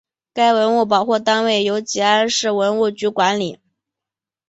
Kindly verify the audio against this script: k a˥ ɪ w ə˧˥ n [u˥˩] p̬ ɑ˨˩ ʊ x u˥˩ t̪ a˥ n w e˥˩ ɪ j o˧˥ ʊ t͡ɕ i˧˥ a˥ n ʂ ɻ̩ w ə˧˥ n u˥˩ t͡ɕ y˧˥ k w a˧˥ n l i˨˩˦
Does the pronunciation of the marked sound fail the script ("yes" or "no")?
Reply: no